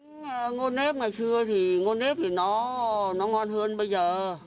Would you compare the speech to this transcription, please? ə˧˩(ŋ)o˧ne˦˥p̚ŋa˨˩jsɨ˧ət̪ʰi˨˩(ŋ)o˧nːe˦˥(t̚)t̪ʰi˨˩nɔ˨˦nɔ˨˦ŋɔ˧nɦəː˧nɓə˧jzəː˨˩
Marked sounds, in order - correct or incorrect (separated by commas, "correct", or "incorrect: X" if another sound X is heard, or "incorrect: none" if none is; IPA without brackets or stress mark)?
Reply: correct, correct, incorrect: p̚